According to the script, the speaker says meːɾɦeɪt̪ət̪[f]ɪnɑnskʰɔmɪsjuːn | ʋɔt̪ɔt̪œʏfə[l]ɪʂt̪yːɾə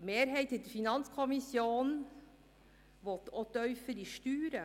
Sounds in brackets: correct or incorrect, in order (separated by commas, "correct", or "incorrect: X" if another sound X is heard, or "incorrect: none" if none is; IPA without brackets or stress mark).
correct, incorrect: ɾ